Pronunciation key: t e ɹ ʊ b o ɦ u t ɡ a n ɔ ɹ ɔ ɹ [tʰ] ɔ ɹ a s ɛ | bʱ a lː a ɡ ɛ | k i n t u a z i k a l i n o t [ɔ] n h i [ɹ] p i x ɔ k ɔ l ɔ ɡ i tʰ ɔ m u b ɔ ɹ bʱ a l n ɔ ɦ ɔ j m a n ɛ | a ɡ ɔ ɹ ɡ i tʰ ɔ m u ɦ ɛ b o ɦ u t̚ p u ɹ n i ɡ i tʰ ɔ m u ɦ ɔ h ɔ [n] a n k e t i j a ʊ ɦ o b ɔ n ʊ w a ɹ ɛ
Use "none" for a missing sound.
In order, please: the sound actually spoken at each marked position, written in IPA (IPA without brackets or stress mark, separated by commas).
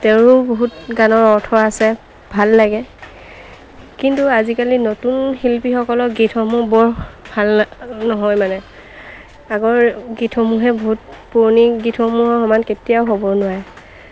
tʰ, u, l, m